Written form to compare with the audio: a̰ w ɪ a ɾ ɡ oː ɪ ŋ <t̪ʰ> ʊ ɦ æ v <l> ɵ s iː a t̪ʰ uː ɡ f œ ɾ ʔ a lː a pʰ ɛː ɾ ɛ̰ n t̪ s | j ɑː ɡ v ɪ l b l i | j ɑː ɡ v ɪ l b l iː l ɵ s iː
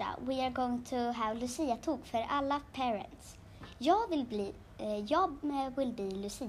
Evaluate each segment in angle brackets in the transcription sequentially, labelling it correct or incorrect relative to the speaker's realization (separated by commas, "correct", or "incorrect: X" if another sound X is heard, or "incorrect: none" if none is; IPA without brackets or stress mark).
correct, correct